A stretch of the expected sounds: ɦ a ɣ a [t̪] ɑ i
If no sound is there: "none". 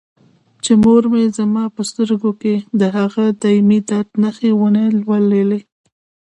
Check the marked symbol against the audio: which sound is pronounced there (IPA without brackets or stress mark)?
d̪